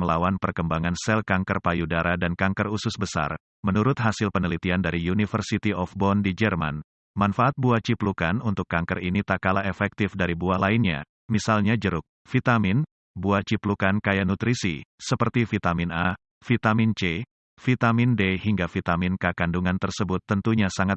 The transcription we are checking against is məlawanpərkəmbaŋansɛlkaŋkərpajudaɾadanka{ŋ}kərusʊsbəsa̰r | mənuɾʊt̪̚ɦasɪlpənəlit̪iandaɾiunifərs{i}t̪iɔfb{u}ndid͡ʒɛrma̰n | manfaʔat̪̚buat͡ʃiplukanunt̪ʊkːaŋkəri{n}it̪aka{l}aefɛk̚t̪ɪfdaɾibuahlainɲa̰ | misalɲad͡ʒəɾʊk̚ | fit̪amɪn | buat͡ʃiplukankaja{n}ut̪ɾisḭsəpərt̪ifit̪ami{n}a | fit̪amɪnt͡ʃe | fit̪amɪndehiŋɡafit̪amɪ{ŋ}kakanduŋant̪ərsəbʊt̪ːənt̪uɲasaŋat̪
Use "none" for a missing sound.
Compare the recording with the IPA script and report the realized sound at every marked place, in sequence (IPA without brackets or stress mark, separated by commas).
ŋ, i, ɔ, n, l, n, n, n